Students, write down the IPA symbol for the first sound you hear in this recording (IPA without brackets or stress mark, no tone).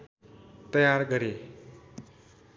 t̪